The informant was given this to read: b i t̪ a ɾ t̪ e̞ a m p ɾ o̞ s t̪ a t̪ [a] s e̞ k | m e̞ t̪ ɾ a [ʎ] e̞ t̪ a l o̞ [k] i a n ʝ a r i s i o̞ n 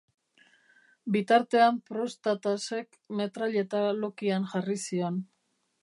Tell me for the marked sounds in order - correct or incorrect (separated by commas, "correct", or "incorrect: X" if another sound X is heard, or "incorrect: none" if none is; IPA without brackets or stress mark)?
correct, correct, correct